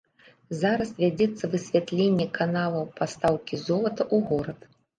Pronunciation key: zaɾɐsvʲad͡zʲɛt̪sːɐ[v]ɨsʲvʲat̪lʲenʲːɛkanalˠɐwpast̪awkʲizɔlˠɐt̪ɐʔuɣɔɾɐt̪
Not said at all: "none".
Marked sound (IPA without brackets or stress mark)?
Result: v